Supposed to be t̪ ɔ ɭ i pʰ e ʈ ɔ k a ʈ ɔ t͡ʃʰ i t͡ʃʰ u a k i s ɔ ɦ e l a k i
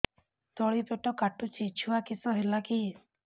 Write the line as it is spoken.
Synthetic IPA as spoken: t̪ ɔ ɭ i p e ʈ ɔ k a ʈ u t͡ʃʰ i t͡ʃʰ u a k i s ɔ ɦ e l a k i